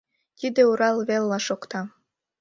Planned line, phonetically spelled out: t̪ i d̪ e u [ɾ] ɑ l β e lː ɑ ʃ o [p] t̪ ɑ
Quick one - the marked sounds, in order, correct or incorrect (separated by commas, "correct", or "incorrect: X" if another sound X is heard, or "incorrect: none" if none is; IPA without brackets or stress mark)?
correct, incorrect: k